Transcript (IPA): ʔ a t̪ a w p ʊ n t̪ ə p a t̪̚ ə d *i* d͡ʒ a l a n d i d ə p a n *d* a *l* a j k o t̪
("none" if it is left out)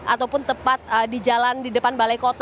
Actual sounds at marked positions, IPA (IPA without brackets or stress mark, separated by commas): i, b, l